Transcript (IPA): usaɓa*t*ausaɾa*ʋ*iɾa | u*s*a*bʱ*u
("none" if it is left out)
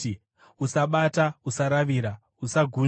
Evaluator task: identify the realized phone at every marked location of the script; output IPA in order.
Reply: t, ʋ, s, ɡʱ

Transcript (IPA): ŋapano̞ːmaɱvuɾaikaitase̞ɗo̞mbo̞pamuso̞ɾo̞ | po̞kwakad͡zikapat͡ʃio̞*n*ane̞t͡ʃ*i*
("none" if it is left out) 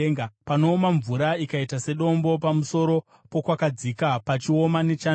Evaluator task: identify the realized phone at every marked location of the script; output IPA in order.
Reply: m, a

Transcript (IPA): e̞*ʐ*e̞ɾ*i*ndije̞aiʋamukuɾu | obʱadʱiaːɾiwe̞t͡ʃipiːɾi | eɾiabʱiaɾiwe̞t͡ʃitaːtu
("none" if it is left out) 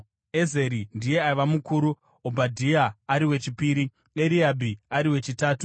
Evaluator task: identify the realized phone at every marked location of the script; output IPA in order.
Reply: z, i

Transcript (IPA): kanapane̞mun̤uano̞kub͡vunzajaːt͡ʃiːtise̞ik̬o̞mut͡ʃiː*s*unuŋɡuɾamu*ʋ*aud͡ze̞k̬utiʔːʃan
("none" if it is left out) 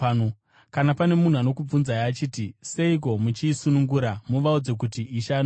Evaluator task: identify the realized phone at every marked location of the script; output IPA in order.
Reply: s, ʋ

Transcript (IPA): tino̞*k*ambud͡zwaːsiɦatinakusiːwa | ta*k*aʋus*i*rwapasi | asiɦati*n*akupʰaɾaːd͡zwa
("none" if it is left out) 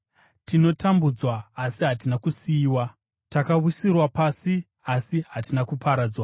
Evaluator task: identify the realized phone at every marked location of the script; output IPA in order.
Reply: t, k, i, n

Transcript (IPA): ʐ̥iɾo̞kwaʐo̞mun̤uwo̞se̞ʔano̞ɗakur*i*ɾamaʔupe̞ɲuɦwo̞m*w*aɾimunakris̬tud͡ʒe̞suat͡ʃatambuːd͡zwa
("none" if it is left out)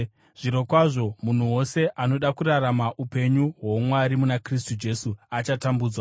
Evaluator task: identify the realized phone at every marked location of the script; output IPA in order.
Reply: a, w

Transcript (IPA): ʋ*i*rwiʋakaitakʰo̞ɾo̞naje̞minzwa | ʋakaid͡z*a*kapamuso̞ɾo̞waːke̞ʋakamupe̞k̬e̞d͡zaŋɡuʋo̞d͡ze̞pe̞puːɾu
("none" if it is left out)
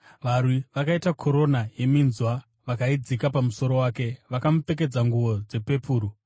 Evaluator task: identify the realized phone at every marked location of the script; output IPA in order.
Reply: a, i

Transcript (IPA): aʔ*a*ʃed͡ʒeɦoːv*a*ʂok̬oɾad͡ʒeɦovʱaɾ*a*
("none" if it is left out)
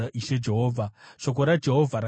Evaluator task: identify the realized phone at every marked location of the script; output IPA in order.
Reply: i, a, a

